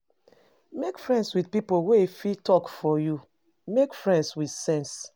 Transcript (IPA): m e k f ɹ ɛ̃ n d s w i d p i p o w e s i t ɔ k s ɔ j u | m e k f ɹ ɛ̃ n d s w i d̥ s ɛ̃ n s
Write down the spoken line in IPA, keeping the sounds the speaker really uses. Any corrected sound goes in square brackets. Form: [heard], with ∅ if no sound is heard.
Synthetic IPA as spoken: m e k f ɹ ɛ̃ n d s w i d p i p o w e [f] i t ɔ k [f] ɔ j u | m e k f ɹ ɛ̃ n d s w i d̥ s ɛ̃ n s